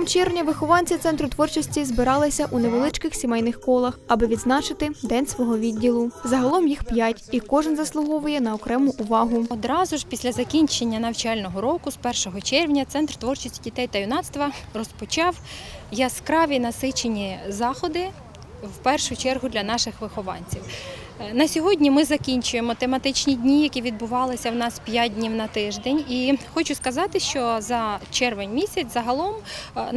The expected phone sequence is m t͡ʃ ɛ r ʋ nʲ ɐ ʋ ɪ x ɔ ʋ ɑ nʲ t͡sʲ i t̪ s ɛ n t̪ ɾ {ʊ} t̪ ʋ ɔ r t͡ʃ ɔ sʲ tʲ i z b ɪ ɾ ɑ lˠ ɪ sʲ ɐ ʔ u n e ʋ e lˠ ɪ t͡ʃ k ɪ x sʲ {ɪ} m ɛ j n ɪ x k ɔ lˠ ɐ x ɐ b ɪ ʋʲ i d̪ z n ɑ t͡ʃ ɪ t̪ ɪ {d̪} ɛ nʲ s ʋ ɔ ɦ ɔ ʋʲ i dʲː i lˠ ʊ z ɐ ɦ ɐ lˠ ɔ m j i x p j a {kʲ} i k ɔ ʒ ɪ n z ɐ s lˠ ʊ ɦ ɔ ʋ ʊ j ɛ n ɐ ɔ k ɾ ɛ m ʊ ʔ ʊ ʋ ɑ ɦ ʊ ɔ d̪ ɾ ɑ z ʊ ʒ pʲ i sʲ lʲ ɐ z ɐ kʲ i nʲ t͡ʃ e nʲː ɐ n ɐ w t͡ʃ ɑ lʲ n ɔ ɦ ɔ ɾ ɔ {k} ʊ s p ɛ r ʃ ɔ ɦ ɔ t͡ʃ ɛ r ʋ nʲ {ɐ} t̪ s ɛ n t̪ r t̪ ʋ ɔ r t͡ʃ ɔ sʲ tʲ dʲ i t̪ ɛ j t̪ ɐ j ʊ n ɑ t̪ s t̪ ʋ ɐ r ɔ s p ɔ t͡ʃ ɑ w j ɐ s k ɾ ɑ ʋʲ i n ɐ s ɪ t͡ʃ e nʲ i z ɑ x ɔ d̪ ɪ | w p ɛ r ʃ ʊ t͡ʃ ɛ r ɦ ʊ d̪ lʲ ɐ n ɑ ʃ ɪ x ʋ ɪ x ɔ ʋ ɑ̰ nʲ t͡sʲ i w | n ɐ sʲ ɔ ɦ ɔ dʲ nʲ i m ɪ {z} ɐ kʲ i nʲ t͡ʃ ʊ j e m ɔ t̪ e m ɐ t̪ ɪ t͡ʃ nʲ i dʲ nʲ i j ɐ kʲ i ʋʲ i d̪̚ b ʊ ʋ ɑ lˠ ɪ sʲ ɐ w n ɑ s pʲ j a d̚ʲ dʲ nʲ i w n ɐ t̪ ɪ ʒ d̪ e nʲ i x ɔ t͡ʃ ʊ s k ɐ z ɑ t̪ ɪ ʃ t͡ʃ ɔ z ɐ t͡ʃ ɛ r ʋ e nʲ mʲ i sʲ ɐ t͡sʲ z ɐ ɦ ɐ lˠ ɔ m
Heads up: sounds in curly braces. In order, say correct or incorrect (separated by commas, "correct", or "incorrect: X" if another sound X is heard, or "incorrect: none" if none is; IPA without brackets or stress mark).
correct, incorrect: i, correct, incorrect: tʲ, correct, correct, correct